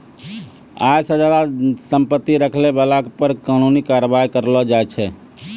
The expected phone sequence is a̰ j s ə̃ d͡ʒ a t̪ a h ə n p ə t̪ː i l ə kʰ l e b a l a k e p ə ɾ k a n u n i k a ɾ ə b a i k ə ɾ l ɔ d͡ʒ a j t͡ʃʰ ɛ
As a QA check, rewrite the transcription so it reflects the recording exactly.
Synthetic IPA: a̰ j s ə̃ d͡ʒ a d̪ a s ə m p ə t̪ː i ɾ ə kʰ l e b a l a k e p ə ɾ k a n u n i k a ɾ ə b a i k ə ɾ l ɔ d͡ʒ a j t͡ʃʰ ɛ